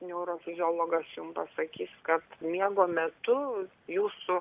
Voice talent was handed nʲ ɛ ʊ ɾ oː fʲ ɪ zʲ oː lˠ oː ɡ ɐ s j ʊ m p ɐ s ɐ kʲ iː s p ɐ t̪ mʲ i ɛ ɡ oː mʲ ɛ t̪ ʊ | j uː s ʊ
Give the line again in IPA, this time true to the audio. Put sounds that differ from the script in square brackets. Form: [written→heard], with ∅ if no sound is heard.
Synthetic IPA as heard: nʲ ɛ ʊ ɾ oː fʲ ɪ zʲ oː lˠ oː ɡ ɐ s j ʊ m p ɐ s ɐ kʲ iː s [p→k] ɐ t̪ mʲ i ɛ ɡ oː mʲ ɛ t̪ ʊ | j uː s ʊ